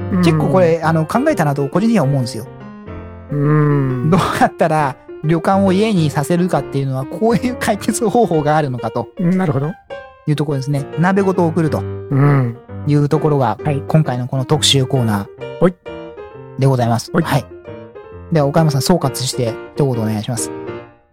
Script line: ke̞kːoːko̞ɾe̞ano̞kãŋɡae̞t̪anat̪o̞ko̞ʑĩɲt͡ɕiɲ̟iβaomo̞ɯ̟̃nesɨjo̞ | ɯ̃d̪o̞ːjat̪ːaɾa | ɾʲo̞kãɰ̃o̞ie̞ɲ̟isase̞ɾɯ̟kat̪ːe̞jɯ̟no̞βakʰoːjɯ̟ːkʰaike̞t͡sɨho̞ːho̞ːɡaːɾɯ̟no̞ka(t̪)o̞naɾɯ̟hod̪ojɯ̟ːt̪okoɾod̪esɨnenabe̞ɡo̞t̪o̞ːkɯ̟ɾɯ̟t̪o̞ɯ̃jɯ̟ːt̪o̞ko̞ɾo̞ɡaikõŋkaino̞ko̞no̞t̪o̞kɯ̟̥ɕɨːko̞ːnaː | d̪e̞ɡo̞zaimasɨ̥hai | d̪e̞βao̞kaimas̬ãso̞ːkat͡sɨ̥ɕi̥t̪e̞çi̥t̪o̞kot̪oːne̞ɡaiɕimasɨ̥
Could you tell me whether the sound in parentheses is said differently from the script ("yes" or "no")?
no